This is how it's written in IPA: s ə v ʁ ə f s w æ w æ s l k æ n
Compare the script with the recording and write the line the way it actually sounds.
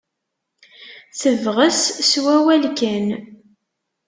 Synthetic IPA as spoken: θ ə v ʁ ə s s w æ w æ l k æ n